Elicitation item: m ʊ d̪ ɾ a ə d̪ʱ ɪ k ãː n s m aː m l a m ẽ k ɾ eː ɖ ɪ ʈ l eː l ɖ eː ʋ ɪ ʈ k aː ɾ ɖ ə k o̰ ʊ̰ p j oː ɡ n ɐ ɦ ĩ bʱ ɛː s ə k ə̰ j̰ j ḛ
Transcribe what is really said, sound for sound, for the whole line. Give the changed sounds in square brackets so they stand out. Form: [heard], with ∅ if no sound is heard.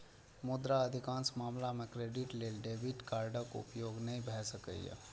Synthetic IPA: m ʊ d̪ ɾ a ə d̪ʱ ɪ k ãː n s m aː m l a m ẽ k ɾ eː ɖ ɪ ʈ l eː l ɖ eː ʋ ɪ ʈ k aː ɾ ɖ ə k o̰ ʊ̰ p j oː ɡ n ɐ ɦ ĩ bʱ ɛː s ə k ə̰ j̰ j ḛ